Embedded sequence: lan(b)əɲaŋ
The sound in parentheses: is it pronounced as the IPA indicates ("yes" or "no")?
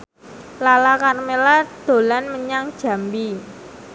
no